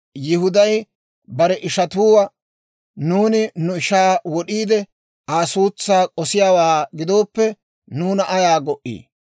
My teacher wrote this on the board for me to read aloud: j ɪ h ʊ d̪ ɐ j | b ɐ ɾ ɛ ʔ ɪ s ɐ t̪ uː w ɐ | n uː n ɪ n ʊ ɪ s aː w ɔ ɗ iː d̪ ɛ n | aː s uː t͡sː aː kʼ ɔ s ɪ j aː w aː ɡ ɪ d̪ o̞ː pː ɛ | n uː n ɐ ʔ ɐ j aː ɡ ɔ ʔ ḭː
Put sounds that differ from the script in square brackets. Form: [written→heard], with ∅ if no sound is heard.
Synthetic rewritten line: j ɪ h ʊ d̪ ɐ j | b ɐ ɾ ɛ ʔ ɪ [s→ʃ] ɐ t̪ uː w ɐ | n uː n ɪ n ʊ ɪ [s→ʃ] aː w ɔ ɗ iː d̪ ɛ [n→∅] | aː s uː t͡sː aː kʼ ɔ s ɪ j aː w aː ɡ ɪ d̪ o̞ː pː ɛ | n uː n ɐ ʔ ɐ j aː ɡ ɔ ʔ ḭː

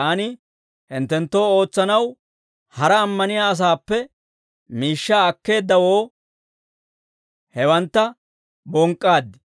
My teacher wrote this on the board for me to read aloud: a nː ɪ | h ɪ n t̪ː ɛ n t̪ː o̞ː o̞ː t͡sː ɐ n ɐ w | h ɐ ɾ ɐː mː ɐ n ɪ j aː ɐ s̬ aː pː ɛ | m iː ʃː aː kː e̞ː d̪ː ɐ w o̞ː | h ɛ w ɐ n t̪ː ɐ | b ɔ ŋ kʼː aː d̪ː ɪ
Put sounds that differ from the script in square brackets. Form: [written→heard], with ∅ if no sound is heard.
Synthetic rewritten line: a [nː→n] ɪ | h ɪ n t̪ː ɛ n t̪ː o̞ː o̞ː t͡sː ɐ n ɐ w | h ɐ ɾ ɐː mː ɐ n ɪ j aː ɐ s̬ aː pː ɛ | m iː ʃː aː kː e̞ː d̪ː ɐ w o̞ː | h ɛ w ɐ n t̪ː ɐ | b ɔ ŋ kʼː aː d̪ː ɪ

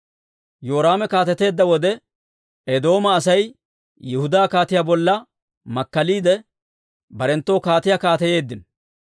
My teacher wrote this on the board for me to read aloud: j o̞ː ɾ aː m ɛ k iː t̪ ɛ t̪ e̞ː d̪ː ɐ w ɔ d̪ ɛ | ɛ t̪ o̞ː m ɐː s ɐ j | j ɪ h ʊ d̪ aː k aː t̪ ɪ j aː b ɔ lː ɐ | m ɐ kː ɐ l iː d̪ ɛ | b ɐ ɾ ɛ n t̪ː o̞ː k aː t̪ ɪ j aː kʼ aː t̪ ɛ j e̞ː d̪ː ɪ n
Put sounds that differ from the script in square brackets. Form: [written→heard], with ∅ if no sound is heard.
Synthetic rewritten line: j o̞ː ɾ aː m ɛ k [iː→aː] t̪ ɛ t̪ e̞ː d̪ː ɐ w ɔ d̪ ɛ | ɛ [t̪→d̪] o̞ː m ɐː s ɐ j | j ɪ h ʊ d̪ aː k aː t̪ ɪ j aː b ɔ lː ɐ | m ɐ kː ɐ l iː d̪ ɛ | b ɐ ɾ ɛ n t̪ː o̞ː k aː t̪ ɪ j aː [kʼ→k] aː t̪ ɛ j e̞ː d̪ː ɪ n

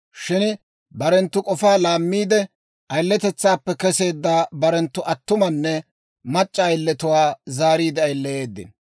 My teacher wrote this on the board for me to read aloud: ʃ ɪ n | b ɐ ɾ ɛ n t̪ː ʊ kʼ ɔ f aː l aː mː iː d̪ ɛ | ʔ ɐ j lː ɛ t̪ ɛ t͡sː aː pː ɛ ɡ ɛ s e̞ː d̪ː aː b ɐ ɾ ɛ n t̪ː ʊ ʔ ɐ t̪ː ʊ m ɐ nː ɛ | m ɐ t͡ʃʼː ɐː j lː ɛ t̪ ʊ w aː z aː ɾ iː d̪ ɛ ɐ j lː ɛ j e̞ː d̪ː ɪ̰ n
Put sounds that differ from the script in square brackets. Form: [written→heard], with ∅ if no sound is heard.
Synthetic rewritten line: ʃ ɪ n | b ɐ ɾ ɛ n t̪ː ʊ kʼ ɔ f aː l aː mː iː d̪ ɛ | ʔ ɐ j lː ɛ t̪ ɛ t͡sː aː pː ɛ [ɡ→k] ɛ s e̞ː d̪ː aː b ɐ ɾ ɛ n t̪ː ʊ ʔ ɐ t̪ː ʊ m ɐ nː ɛ | m ɐ t͡ʃʼː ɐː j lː ɛ t̪ ʊ w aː z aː ɾ iː d̪ ɛ ɐ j lː ɛ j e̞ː d̪ː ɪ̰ n

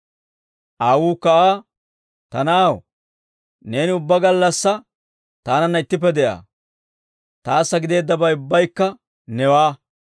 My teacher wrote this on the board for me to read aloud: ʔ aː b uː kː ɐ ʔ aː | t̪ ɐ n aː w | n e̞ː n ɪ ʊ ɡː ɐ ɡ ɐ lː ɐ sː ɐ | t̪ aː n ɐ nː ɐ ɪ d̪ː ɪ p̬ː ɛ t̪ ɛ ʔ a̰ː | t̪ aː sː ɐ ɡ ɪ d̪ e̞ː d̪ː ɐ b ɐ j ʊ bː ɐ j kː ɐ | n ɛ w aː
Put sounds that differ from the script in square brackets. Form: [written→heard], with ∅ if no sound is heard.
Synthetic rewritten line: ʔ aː [b→w] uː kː ɐ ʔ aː | t̪ ɐ n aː w | n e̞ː n ɪ ʊ [ɡː→bː] ɐ ɡ ɐ lː ɐ sː ɐ | t̪ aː n ɐ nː ɐ ɪ [d̪ː→t̪ː] ɪ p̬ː ɛ [t̪→d̪] ɛ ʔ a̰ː | t̪ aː sː ɐ ɡ ɪ d̪ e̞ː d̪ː ɐ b ɐ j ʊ bː ɐ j kː ɐ | n ɛ w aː

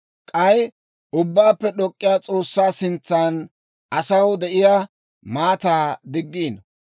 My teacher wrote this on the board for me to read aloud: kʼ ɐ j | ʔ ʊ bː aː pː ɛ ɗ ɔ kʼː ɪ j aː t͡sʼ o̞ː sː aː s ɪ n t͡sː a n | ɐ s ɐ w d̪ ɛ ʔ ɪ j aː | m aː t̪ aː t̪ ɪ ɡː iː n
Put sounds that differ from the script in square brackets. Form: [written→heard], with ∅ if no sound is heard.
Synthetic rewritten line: kʼ ɐ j | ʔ ʊ bː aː pː ɛ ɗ ɔ kʼː ɪ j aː t͡sʼ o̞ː sː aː s ɪ n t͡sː a n | ɐ s ɐ w d̪ ɛ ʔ ɪ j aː | m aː t̪ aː [t̪→d̪] ɪ ɡː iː n

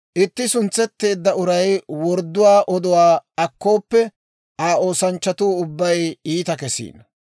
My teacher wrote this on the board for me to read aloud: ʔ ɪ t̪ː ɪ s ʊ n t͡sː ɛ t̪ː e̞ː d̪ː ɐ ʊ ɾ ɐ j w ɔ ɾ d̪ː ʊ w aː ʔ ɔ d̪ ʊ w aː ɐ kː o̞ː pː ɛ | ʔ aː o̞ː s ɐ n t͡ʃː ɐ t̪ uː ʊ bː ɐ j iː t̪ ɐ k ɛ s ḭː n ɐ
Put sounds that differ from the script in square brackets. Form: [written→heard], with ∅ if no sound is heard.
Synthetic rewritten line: ʔ ɪ t̪ː ɪ s ʊ n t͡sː ɛ t̪ː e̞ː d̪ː ɐ ʊ ɾ ɐ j w ɔ ɾ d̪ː ʊ w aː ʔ ɔ d̪ ʊ w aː ɐ kː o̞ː pː ɛ | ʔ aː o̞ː s ɐ n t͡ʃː ɐ t̪ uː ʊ bː ɐ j iː t̪ ɐ k ɛ s ḭː n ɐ

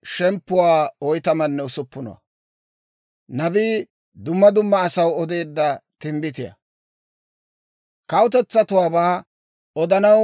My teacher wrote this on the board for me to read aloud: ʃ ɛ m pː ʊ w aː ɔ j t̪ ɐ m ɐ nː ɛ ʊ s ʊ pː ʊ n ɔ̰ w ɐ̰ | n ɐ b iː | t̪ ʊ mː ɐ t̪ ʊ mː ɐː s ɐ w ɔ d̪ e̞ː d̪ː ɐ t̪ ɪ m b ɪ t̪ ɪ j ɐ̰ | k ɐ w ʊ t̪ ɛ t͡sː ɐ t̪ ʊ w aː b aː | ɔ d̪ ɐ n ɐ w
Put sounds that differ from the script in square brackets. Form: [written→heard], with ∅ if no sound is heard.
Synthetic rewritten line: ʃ ɛ m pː ʊ w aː ɔ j t̪ ɐ m ɐ nː ɛ ʊ s ʊ pː ʊ n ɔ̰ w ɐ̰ | n ɐ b iː | [t̪→d̪] ʊ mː ɐ [t̪→d̪] ʊ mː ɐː s ɐ w ɔ d̪ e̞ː d̪ː ɐ t̪ ɪ m b ɪ t̪ ɪ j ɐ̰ | k ɐ w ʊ t̪ ɛ t͡sː ɐ t̪ ʊ w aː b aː | ɔ d̪ ɐ n ɐ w

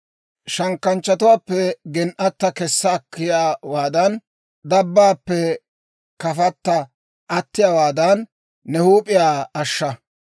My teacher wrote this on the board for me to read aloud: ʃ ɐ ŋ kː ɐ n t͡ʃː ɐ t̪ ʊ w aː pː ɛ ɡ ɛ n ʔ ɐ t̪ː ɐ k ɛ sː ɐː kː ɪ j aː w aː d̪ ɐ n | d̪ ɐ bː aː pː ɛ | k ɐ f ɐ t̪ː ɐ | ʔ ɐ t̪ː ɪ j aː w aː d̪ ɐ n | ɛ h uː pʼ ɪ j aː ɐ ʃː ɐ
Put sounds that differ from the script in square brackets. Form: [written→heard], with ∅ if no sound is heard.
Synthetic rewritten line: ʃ ɐ ŋ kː ɐ n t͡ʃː ɐ t̪ ʊ w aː pː ɛ ɡ ɛ n ʔ ɐ t̪ː ɐ k ɛ sː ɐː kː ɪ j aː w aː d̪ ɐ n | d̪ ɐ bː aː pː ɛ | k ɐ f ɐ t̪ː ɐ | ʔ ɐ t̪ː ɪ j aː w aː d̪ ɐ [n→nː] | ɛ h uː pʼ ɪ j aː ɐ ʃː ɐ

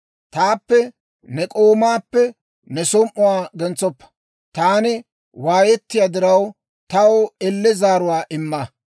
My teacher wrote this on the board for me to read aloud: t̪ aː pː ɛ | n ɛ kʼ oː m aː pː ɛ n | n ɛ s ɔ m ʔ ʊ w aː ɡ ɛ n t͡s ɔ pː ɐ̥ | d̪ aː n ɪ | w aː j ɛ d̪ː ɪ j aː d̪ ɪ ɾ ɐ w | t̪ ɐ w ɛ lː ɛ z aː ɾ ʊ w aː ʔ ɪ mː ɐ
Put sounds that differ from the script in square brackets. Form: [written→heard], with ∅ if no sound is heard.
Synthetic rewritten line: t̪ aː pː ɛ | n ɛ kʼ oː m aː pː ɛ [n→∅] | n ɛ s ɔ m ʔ ʊ w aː ɡ ɛ n t͡s ɔ pː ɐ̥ | [d̪→t̪] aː n ɪ | w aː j ɛ [d̪ː→t̪ː] ɪ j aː d̪ ɪ ɾ ɐ w | t̪ ɐ w ɛ lː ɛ z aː ɾ ʊ w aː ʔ ɪ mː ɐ

